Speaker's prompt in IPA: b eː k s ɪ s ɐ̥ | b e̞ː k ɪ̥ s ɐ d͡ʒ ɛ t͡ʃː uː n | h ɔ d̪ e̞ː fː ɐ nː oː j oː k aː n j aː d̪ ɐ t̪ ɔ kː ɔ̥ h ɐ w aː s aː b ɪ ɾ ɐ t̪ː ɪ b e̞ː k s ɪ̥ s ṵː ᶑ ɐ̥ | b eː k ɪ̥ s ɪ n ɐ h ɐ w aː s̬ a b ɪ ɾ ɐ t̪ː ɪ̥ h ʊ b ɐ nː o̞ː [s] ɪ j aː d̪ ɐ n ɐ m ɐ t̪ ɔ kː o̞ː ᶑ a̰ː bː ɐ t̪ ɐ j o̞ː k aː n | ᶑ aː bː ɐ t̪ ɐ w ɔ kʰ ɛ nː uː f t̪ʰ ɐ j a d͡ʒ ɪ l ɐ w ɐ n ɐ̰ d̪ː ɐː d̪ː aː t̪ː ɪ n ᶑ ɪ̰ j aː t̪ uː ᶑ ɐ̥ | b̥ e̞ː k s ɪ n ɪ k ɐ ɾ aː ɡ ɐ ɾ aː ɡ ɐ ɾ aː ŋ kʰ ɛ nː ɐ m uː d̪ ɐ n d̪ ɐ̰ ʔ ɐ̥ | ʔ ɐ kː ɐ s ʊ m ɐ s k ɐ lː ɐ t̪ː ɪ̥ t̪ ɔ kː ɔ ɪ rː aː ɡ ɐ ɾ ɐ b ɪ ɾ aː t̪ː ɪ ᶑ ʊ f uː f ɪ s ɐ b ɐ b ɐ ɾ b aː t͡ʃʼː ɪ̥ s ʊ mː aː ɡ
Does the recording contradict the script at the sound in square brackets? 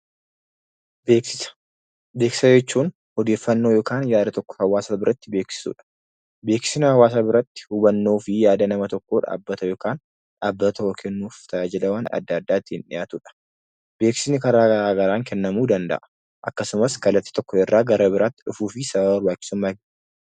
yes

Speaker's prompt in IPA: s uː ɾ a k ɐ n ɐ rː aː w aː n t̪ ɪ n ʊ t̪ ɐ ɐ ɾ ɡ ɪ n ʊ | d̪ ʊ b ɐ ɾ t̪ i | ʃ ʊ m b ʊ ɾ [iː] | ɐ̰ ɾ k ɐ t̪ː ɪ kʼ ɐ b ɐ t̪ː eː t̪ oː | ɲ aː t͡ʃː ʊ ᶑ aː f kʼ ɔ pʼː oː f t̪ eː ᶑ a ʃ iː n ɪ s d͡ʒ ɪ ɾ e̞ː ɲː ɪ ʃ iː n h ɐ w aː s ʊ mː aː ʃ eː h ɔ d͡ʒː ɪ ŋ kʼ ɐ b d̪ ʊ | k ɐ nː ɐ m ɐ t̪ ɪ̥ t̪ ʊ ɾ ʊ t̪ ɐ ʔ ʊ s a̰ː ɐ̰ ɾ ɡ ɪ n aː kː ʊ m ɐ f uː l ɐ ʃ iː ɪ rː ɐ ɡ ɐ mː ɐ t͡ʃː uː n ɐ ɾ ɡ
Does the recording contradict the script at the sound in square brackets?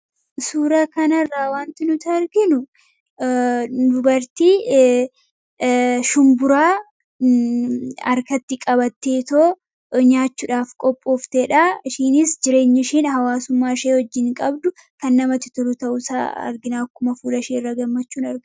yes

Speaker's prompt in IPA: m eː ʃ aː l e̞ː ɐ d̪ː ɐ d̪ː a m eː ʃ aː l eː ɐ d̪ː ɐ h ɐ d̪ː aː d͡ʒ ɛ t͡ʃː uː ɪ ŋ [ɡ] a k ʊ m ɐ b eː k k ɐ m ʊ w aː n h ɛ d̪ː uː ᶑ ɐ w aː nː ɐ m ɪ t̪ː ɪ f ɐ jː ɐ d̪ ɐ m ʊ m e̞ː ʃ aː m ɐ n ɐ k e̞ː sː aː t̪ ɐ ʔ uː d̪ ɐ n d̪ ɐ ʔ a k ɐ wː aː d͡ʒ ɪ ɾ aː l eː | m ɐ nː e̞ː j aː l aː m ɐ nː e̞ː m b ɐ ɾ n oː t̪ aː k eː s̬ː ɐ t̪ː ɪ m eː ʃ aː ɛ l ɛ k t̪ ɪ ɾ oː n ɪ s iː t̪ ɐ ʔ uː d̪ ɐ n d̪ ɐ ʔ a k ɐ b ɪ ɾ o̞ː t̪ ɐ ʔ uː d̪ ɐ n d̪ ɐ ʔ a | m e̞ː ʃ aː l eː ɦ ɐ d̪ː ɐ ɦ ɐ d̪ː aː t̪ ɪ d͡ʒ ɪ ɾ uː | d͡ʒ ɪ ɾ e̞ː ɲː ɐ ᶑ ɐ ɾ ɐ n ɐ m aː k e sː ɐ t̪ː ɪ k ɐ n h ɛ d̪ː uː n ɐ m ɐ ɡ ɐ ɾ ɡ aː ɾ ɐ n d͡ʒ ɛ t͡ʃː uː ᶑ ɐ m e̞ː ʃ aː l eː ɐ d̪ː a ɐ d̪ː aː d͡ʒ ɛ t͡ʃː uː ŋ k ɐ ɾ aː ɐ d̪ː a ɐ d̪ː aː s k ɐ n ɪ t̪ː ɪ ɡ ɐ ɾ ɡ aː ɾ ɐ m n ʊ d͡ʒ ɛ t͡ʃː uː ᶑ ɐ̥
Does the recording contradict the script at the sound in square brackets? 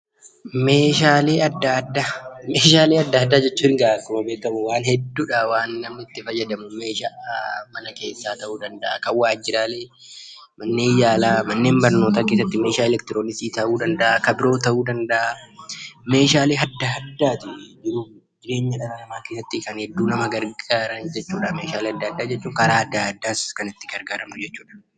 no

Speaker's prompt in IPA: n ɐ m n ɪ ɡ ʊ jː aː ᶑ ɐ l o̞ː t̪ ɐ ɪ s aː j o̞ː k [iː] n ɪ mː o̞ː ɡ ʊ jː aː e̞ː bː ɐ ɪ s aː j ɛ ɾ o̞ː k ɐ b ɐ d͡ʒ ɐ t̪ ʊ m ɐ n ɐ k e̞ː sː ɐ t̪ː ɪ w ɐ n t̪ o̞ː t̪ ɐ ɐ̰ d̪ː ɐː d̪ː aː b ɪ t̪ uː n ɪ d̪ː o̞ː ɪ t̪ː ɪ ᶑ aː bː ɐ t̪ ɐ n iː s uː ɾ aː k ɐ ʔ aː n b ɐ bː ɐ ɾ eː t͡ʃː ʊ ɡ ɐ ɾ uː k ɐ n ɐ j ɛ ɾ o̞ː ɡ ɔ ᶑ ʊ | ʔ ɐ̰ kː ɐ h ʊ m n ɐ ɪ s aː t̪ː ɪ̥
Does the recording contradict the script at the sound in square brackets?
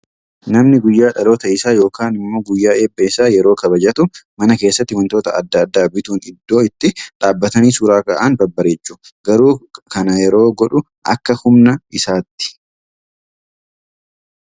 yes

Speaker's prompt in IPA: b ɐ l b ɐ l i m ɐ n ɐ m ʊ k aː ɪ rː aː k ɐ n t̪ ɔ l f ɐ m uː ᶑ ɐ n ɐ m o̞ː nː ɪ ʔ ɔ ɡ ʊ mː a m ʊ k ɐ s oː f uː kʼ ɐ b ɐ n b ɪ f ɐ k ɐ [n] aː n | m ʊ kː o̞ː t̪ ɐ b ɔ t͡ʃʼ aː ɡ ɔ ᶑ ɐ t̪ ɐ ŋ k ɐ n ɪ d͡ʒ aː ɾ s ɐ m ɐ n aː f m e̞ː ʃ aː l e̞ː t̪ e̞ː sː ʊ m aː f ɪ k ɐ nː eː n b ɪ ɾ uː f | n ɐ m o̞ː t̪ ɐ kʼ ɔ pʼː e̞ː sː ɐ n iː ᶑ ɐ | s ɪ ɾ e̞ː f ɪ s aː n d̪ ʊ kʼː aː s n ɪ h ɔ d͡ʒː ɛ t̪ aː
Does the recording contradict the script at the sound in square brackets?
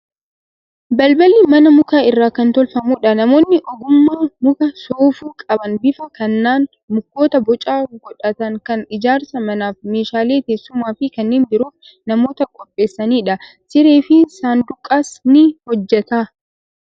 yes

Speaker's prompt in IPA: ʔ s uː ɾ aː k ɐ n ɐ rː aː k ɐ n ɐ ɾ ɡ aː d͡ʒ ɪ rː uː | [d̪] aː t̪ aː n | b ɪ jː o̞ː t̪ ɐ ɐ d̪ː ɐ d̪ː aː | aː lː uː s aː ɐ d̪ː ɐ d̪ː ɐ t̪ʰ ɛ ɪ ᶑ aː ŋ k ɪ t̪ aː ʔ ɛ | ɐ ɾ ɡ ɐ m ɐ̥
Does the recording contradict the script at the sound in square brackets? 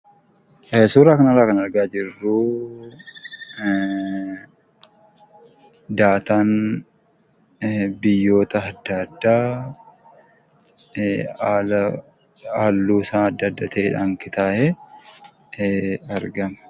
no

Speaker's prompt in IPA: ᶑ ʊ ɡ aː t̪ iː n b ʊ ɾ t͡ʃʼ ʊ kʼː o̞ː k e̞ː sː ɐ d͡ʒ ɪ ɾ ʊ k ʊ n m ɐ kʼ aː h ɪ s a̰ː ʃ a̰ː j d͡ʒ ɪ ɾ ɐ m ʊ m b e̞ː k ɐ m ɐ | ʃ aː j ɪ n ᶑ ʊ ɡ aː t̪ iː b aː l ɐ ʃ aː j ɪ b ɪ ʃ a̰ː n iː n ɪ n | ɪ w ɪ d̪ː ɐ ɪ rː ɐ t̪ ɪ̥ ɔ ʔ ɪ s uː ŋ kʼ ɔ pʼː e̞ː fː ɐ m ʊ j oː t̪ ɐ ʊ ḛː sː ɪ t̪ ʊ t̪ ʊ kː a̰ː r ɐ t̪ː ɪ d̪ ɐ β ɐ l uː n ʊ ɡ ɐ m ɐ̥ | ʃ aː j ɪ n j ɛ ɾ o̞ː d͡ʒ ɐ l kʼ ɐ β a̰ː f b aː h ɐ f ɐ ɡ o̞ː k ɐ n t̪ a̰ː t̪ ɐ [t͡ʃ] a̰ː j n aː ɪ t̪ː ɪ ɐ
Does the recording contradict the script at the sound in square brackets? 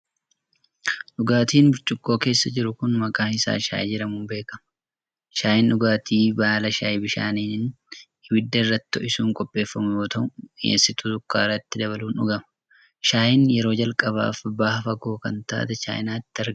no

